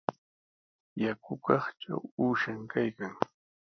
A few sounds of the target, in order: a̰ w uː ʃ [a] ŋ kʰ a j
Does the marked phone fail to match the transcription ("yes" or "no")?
no